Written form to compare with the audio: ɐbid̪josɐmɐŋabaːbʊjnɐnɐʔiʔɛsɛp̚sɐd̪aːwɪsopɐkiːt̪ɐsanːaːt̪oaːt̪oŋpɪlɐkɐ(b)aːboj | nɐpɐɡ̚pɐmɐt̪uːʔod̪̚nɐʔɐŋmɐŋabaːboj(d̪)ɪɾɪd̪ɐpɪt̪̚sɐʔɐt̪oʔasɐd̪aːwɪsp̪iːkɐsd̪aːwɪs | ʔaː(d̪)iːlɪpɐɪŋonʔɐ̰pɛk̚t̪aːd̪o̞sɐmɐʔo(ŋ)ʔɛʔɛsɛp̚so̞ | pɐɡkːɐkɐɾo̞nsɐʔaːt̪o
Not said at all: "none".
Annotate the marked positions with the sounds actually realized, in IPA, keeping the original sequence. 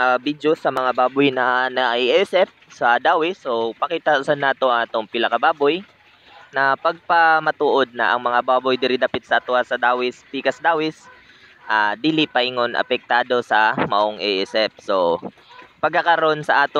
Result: b, d̪, d̪, ŋ

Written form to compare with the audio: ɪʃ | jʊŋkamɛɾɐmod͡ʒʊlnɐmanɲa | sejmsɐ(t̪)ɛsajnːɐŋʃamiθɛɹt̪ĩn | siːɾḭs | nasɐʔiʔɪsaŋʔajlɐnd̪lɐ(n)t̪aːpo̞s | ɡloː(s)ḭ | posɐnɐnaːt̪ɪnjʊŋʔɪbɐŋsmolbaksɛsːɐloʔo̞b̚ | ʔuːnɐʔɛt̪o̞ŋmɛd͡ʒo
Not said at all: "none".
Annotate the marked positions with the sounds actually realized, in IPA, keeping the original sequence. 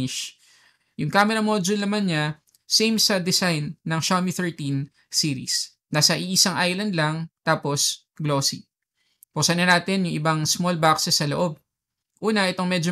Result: d̪, ŋ, s

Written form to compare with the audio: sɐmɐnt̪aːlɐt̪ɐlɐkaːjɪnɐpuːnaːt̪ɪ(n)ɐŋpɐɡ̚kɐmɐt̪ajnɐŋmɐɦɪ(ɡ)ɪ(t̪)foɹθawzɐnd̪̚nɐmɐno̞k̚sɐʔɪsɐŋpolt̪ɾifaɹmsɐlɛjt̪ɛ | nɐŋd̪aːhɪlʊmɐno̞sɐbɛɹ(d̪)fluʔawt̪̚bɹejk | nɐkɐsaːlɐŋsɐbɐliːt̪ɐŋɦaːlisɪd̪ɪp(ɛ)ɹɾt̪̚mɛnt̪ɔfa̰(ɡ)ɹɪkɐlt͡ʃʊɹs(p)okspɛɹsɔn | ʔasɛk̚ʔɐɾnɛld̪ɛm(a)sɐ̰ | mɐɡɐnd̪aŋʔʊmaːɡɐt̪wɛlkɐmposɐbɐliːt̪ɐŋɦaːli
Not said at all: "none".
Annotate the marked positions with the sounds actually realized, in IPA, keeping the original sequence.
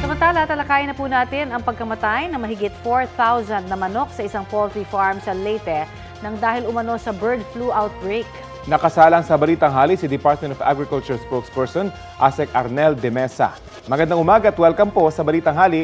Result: n, ɡ, t̪, d̪, a, ɡ, p, ɛ

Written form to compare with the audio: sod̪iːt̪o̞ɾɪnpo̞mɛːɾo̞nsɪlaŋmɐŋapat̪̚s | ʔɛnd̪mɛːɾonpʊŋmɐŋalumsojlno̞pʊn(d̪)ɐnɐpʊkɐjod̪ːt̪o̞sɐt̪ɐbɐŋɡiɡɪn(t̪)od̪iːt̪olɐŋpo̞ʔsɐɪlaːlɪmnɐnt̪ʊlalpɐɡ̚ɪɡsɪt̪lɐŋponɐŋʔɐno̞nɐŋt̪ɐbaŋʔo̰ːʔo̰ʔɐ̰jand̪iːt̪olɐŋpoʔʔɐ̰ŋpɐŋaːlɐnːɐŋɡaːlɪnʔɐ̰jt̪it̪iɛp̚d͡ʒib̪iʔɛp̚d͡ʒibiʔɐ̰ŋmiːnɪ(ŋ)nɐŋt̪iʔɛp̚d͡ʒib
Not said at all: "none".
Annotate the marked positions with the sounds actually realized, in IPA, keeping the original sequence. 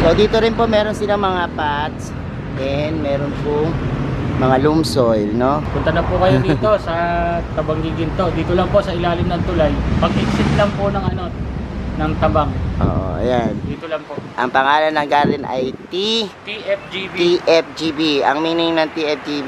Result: t̪, t̪, ŋ

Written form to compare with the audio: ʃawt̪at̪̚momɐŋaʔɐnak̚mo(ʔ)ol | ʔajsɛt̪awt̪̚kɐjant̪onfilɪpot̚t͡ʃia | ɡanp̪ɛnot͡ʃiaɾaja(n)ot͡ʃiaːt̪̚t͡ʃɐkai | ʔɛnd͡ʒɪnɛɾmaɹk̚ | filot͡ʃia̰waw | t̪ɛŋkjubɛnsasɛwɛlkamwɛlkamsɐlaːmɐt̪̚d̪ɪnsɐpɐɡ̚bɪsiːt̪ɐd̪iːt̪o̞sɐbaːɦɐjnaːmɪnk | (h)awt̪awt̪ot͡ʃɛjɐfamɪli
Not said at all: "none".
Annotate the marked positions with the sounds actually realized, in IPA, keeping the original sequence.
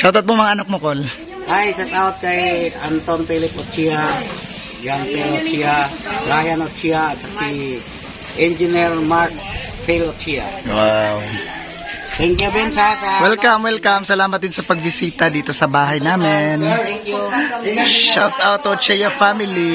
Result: k, n, ʃ

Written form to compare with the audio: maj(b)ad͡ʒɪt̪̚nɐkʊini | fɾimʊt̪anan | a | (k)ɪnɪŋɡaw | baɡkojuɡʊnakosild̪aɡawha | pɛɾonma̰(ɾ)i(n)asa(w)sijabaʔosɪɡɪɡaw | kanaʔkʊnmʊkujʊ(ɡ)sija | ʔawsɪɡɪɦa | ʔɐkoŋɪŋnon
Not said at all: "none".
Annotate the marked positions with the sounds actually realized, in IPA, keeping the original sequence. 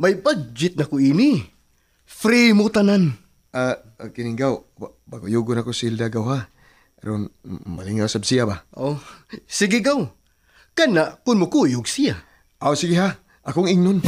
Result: b, k, l, ŋ, b, ɡ

